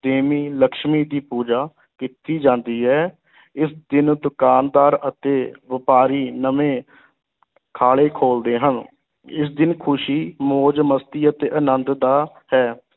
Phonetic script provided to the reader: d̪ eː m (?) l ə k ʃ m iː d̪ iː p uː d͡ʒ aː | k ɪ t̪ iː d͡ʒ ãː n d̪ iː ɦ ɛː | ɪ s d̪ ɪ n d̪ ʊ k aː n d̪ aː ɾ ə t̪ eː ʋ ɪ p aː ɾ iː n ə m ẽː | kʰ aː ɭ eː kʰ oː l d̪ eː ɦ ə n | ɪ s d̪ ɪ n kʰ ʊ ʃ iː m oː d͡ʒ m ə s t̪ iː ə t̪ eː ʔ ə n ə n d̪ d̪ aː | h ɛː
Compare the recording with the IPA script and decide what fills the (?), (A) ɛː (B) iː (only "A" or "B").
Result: B